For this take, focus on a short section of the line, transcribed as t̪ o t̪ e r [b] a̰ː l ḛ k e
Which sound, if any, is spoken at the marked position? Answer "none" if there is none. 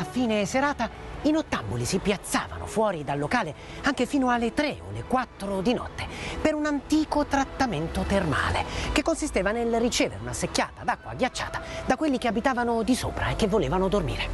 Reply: m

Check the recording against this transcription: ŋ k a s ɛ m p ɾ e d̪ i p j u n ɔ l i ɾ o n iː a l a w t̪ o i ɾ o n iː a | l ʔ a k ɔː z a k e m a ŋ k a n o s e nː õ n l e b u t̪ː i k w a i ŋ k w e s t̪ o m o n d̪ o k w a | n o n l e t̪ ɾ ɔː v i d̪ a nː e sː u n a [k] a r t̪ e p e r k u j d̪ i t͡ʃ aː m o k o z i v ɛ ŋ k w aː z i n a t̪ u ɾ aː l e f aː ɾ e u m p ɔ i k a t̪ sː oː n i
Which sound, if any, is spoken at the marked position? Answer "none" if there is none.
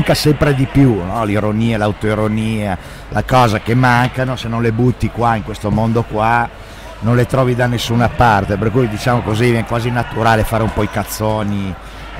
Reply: p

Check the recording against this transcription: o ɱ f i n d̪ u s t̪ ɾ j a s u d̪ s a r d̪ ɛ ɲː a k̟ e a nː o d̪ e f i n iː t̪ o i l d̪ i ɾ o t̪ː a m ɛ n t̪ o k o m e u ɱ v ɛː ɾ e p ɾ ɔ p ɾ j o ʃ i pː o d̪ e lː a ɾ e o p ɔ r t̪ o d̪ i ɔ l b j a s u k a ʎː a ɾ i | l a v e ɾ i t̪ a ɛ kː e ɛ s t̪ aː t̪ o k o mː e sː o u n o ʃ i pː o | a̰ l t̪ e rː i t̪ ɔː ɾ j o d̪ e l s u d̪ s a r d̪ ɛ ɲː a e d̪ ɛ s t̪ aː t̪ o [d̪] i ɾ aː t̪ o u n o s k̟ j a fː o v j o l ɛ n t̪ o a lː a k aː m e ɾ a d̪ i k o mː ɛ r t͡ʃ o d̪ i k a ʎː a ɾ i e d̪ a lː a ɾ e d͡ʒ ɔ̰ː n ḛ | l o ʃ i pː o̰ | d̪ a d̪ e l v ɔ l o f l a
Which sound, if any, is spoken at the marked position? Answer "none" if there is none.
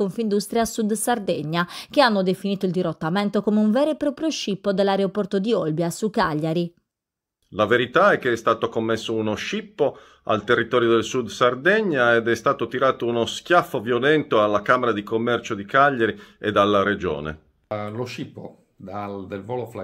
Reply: t̪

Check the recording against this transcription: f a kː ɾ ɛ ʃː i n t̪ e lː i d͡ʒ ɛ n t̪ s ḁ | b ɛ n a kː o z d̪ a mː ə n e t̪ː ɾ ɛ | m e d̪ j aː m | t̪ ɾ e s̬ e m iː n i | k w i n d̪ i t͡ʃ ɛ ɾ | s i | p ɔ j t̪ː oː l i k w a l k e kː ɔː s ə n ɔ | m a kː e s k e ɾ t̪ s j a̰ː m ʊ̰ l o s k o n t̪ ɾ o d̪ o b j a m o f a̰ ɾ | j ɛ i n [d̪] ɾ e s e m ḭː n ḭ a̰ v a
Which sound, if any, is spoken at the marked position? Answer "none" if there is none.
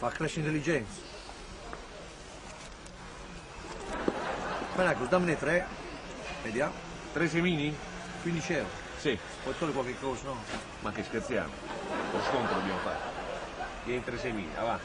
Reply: t̪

